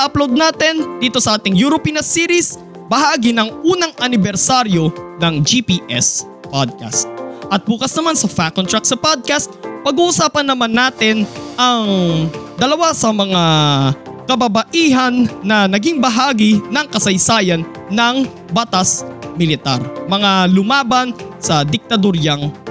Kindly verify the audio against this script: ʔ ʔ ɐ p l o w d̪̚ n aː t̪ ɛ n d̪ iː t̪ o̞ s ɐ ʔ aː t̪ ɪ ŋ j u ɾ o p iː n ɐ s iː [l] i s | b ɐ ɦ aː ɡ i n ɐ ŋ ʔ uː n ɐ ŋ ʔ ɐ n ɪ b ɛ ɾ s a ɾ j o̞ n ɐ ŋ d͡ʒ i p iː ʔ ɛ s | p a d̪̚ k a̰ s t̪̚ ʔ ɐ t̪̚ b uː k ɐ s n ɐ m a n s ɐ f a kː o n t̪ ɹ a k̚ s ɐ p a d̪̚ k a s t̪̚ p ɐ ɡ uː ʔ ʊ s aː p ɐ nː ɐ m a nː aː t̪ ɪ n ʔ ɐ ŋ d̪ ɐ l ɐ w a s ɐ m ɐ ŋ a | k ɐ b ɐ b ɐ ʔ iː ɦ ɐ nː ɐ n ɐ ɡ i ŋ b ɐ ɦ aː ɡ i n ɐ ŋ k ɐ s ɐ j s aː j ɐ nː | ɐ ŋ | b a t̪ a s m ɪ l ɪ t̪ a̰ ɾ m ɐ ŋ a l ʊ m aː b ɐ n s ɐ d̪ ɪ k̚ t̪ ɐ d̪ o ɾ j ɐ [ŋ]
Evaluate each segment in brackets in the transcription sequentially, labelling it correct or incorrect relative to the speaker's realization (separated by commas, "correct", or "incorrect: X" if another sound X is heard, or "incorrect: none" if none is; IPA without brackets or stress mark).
incorrect: ɾ, correct